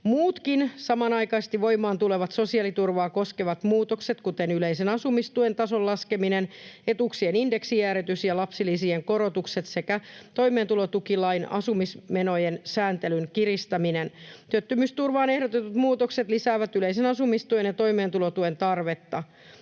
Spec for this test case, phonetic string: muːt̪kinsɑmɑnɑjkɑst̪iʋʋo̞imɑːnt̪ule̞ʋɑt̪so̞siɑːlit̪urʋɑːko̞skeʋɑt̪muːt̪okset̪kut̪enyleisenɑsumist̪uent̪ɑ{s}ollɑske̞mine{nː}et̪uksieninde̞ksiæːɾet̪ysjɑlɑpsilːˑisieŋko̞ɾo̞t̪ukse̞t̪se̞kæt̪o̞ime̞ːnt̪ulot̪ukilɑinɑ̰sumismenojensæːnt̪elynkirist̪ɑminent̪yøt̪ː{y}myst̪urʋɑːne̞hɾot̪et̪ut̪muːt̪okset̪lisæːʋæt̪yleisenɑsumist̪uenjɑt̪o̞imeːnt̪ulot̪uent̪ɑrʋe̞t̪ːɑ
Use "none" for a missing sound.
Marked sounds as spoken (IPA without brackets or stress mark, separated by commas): s, n, y